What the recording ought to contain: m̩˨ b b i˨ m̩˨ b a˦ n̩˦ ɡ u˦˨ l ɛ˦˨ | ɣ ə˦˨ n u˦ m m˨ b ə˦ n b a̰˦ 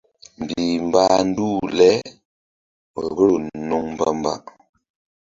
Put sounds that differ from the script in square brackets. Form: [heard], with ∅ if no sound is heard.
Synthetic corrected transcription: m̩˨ b b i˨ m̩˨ b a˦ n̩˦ [d] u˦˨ l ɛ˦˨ | ɣ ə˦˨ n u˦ [ŋ] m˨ b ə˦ [m] b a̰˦